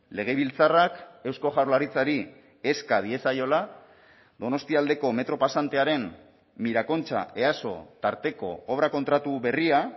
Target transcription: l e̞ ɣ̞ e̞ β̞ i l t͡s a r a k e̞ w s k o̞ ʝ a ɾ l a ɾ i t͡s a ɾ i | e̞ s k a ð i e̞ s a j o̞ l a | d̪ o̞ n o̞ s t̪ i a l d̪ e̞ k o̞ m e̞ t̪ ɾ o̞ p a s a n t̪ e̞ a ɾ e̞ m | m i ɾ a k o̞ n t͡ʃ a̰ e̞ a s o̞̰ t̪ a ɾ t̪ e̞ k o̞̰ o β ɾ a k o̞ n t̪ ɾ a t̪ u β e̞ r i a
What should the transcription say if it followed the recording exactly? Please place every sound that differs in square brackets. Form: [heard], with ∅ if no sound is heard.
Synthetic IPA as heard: l e̞ ɣ̞ e̞ β̞ i l t͡s a r a k e̞ w s k o̞ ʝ a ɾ l a ɾ i t͡s a ɾ i | e̞ s k a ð i e̞ s a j o̞ l a | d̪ o̞ n o̞ s t̪ i a l d̪ e̞ k o̞ m e̞ t̪ ɾ o̞ p a s a n t̪ e̞ a ɾ e̞ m | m i ɾ a k o̞ n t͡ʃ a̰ e̞ a s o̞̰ t̪ a ɾ t̪ e̞ k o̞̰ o β ɾ a k o̞ n t̪ ɾ a t̪ u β e̞ r i a